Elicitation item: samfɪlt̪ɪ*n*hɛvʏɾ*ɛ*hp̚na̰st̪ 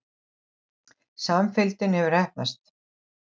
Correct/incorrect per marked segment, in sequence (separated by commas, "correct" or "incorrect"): correct, correct